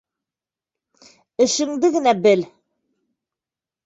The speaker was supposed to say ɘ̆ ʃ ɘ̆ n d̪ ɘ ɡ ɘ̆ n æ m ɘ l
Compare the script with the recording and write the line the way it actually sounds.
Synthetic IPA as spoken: ɘ̆ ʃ ɘ̆ ŋ d̪ ɘ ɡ ɘ̆ n æ b ɘ l